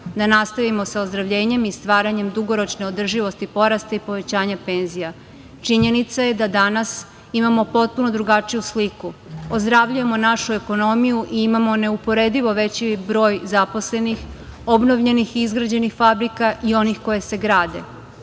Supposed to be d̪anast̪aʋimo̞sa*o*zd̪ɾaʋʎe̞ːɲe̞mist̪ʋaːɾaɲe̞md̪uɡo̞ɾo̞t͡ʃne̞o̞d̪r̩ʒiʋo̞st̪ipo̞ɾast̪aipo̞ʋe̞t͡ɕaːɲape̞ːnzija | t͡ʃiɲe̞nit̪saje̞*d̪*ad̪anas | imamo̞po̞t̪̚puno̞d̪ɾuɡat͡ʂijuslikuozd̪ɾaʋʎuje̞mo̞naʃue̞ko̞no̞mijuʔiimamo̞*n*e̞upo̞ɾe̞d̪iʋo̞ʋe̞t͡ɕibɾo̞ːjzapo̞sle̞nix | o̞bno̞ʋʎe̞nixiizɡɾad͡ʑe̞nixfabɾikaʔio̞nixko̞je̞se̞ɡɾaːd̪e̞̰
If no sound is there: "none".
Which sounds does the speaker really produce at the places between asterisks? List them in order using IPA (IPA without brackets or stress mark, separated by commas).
o, d̪, n